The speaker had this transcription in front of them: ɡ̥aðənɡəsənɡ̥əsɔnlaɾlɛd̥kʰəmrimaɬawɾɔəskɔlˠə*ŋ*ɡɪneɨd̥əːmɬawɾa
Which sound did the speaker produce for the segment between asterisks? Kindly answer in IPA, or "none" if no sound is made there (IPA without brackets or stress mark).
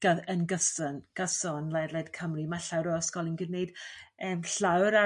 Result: n